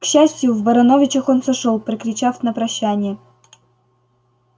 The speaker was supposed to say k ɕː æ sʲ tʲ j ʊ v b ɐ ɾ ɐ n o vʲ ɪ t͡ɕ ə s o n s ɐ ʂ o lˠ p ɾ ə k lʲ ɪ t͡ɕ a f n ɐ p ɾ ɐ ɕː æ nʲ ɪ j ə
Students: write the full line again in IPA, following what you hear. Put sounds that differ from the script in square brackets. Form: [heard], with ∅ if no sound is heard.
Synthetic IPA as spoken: k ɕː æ sʲ tʲ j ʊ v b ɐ ɾ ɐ n o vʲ ɪ t͡ɕ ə [x] o n s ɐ ʂ o lˠ p ɾ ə k [ɾʲ] ɪ t͡ɕ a f n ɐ p ɾ ɐ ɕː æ nʲ ɪ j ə